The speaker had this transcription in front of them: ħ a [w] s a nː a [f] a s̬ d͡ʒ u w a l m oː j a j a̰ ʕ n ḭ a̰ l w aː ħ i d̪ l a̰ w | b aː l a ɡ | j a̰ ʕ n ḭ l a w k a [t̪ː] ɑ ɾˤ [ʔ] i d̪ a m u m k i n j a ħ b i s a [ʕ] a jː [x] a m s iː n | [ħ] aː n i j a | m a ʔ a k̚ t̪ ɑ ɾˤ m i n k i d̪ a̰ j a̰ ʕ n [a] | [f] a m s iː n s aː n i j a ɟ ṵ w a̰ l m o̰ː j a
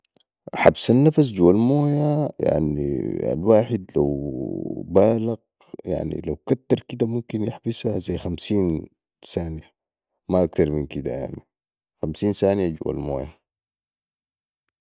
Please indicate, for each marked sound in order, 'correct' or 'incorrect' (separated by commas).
incorrect, correct, correct, incorrect, incorrect, correct, incorrect, incorrect, incorrect